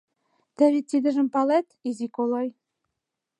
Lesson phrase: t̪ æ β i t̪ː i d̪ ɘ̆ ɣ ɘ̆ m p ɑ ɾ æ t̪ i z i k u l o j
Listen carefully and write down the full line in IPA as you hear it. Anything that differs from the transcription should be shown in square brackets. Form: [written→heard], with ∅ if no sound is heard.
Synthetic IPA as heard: t̪ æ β i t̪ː i d̪ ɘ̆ [ɣ→ʒ] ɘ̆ m p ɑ [ɾ→l] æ t̪ i z i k [u→o] l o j